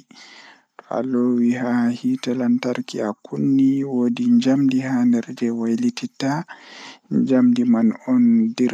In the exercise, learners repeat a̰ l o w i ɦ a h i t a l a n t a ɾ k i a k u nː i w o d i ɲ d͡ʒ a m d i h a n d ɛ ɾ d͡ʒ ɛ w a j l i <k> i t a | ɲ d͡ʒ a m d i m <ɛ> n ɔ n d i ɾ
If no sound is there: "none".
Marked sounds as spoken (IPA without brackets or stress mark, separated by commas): t, a